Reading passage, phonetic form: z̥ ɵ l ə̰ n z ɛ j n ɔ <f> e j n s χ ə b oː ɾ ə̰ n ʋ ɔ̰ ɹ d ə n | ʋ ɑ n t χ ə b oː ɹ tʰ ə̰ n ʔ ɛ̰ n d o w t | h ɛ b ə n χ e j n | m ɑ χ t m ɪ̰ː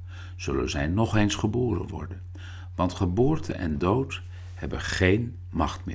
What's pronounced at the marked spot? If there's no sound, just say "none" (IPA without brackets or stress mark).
χ